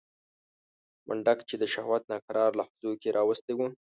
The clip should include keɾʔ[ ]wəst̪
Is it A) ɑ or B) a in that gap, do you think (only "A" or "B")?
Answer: A